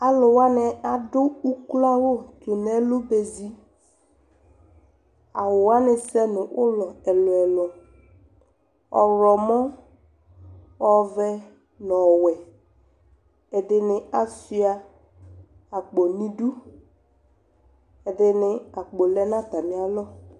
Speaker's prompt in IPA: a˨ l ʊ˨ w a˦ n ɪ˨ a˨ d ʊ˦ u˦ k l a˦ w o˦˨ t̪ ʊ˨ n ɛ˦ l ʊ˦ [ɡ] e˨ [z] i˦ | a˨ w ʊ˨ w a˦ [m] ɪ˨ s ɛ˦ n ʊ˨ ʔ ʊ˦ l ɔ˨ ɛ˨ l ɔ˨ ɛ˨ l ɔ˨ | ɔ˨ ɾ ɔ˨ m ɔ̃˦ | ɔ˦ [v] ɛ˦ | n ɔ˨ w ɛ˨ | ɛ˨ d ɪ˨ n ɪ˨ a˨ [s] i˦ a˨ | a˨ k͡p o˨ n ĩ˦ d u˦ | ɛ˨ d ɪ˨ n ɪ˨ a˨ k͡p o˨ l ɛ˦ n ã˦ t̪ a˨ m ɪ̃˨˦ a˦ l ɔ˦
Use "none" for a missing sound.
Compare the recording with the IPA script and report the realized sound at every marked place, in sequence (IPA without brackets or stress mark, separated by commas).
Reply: b, z, n, v, s